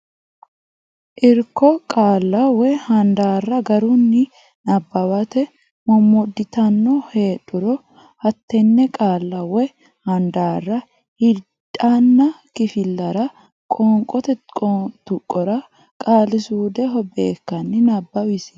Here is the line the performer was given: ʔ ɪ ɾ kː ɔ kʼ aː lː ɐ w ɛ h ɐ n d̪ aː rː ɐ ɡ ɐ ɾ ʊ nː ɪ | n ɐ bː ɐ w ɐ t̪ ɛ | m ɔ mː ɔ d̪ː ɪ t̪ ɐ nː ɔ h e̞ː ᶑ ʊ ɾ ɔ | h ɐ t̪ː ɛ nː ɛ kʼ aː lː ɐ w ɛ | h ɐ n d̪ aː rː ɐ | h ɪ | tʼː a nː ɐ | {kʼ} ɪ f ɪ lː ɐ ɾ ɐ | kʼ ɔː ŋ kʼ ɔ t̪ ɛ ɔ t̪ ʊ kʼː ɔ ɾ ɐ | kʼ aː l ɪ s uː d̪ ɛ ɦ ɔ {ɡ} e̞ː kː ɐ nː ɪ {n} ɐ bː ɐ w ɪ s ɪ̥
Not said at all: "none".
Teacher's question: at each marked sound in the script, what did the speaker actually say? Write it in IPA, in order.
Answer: k, b, n

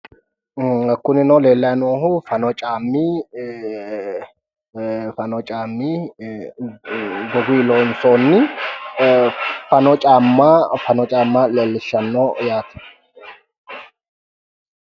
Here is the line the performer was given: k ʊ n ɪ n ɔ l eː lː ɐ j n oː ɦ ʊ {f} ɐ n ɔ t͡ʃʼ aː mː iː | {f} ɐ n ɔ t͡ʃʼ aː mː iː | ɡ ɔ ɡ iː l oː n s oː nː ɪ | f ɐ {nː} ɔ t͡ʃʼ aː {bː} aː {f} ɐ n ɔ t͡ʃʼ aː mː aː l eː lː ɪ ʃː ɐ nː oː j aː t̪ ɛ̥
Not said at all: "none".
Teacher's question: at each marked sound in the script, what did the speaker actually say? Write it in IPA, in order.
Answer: f, f, n, mː, f

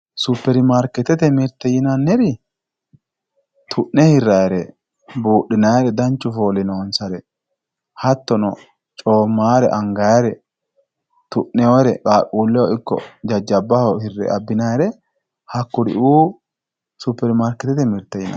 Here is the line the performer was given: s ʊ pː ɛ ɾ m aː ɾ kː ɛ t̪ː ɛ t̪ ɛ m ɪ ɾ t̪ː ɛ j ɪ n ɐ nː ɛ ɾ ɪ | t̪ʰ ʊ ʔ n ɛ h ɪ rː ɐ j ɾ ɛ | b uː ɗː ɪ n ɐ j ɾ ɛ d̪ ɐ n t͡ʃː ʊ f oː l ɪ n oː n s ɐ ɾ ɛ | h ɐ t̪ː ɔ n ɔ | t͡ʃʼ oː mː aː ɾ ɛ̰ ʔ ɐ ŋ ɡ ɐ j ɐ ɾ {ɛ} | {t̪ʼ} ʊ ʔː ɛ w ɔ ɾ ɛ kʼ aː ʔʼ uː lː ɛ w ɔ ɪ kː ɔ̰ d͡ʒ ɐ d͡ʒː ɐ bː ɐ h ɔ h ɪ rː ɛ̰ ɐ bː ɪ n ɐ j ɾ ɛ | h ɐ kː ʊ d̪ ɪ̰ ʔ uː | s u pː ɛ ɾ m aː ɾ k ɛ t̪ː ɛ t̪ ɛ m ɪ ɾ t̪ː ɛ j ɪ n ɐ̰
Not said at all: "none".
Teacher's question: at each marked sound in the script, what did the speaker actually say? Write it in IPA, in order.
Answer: ɛ, t̪

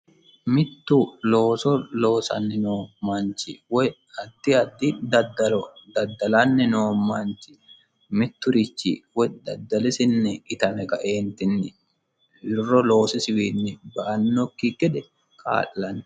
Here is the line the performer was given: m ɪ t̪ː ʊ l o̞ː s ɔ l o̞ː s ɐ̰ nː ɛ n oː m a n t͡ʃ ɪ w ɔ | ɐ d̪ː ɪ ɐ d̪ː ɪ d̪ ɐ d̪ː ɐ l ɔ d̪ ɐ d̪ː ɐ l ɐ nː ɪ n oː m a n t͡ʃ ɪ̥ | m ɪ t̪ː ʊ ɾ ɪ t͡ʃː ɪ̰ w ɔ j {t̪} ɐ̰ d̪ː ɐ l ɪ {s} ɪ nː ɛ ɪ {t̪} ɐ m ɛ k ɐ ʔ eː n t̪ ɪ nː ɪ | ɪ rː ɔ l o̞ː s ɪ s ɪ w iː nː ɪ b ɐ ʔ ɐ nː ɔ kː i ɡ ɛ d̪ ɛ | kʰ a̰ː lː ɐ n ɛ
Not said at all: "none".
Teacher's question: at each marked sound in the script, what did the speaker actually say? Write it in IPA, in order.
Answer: d̪, s, t̪

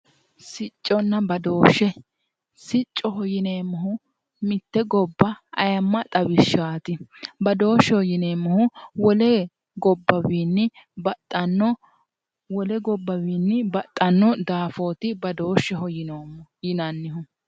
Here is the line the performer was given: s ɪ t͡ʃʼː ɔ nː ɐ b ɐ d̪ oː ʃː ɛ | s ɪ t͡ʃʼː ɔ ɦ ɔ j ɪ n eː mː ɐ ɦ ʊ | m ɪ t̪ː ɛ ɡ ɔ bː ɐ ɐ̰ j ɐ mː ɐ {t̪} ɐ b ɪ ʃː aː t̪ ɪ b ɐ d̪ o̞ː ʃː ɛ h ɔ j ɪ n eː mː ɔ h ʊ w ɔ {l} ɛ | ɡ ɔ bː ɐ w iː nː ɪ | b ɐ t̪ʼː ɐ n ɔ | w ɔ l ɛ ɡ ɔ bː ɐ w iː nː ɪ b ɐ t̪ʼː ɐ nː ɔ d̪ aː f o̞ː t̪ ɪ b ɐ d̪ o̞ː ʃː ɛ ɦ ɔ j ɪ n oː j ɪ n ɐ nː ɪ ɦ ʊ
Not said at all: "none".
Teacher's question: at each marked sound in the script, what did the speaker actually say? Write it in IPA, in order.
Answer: t̪ʼ, l

